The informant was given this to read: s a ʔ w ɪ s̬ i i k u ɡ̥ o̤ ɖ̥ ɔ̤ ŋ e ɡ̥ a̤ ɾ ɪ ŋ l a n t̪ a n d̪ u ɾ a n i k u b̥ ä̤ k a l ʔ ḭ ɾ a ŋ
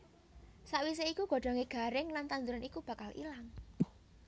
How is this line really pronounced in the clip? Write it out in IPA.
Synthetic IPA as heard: s a ʔ w i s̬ e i k u ɡ̥ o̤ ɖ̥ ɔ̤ ŋ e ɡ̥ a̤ ɾ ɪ ŋ l a n t̪ a n d̪ u ɾ a n i k u b̥ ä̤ k a l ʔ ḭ l a ŋ